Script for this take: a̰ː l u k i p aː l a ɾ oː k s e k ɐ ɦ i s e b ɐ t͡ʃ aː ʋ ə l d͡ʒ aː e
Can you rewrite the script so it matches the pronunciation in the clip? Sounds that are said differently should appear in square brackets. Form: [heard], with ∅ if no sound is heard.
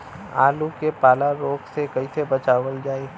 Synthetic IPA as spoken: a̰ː l u k [e] p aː l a ɾ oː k s e k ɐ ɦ i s e b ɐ t͡ʃ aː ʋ ə l d͡ʒ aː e